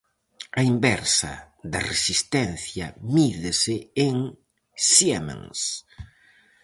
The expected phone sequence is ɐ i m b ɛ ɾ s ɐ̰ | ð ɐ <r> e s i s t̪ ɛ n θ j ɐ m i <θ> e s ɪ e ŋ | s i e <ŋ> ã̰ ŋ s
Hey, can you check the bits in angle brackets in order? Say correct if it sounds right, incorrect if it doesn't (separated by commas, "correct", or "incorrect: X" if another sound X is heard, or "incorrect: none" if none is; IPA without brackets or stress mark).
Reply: correct, incorrect: ð, incorrect: m